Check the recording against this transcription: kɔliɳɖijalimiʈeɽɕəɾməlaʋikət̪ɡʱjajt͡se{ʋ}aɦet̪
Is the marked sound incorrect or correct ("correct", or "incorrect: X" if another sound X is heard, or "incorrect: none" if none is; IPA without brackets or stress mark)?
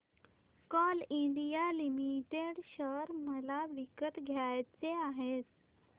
incorrect: none